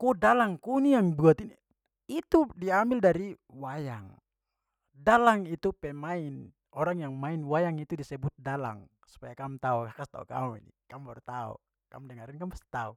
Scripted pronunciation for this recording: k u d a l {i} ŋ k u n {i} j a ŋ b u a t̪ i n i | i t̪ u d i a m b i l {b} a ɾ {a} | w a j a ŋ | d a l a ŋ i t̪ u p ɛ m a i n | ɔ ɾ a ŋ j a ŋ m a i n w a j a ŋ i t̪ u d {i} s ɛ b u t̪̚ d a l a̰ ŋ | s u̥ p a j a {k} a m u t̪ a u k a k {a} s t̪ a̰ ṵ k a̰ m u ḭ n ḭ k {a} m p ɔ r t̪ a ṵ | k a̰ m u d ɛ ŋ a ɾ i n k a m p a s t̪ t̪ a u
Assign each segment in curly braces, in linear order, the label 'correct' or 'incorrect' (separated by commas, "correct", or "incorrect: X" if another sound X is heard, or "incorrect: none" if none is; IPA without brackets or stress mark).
incorrect: a, correct, incorrect: d, incorrect: i, correct, correct, correct, correct